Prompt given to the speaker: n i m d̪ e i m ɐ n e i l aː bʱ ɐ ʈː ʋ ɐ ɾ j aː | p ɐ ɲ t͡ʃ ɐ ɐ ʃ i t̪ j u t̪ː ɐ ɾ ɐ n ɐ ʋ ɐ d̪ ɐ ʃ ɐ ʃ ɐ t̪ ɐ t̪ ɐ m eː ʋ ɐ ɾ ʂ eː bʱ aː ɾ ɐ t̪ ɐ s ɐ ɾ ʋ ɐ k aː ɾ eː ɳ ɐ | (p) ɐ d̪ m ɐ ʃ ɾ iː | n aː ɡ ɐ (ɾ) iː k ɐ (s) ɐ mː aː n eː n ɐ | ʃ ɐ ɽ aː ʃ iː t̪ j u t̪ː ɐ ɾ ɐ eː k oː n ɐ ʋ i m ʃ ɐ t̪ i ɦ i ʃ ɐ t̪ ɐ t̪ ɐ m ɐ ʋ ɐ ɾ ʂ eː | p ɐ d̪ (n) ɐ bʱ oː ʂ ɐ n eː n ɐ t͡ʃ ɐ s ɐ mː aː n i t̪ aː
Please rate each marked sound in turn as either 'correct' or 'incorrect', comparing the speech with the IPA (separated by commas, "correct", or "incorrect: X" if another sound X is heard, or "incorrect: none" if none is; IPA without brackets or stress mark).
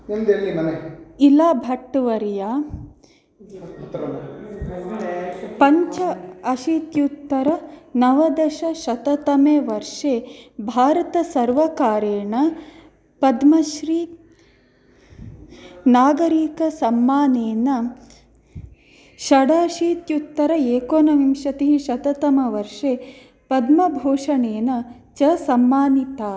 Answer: correct, correct, correct, incorrect: m